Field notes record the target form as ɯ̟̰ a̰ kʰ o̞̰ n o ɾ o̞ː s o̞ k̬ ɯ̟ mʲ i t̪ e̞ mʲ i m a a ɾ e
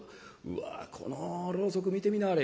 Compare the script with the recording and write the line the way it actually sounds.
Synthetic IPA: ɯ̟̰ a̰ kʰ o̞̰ n o ɾ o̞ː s o̞ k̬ ɯ̟ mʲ i t̪ e̞ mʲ i n a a ɾ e